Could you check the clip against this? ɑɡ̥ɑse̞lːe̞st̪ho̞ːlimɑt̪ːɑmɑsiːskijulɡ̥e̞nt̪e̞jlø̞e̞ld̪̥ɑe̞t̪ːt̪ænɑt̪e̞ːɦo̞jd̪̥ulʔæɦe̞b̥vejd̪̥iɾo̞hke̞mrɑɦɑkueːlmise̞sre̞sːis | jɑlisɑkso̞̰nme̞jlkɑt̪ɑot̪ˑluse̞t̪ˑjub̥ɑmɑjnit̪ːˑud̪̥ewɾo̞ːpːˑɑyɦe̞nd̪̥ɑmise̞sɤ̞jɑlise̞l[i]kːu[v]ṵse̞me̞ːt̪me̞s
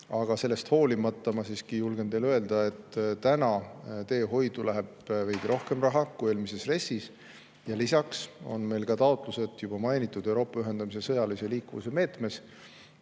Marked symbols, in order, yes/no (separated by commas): no, yes